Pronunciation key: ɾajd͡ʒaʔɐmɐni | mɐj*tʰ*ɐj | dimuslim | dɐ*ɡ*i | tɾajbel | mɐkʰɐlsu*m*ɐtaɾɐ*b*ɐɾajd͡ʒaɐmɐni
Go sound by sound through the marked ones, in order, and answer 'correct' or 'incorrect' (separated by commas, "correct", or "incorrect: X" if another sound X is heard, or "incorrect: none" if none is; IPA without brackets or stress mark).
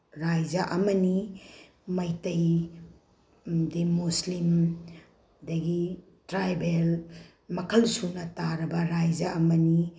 incorrect: t, correct, incorrect: n, correct